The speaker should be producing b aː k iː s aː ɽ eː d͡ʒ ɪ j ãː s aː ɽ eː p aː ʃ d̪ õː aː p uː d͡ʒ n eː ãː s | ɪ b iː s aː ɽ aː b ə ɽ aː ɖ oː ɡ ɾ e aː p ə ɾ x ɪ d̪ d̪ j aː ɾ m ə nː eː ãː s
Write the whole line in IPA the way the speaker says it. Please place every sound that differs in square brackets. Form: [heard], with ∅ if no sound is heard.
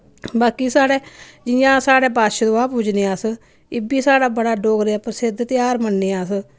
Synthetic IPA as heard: b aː k iː s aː ɽ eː d͡ʒ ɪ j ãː s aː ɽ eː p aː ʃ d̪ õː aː p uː d͡ʒ n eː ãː s | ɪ b iː s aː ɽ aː b ə ɽ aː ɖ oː ɡ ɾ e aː p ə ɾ [s] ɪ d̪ [t̪] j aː ɾ m ə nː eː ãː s